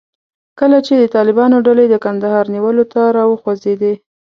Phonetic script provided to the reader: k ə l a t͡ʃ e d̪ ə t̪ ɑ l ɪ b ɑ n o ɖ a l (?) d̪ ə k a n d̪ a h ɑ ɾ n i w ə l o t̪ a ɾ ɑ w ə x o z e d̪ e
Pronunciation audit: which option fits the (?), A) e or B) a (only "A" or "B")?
A